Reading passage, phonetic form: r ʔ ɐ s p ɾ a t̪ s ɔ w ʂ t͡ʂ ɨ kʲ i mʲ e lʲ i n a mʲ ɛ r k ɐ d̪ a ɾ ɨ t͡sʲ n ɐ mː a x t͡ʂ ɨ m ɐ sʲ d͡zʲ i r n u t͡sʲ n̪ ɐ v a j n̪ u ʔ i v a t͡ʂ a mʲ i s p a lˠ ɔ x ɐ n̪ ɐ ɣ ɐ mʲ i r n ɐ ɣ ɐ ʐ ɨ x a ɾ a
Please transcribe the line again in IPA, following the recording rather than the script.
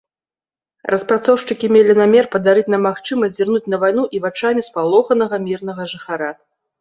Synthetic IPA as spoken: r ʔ ɐ s p ɾ a t̪ s ɔ w ʂ t͡ʂ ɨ kʲ i mʲ e lʲ i n a mʲ ɛ r p ɐ d̪ a ɾ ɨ t͡sʲ n ɐ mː a x t͡ʂ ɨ m ɐ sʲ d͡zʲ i r n u t͡sʲ n̪ ɐ v a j n̪ u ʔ i v a t͡ʂ a mʲ i s p a lˠ ɔ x ɐ n̪ ɐ ɣ ɐ mʲ i r n ɐ ɣ ɐ ʐ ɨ x a ɾ a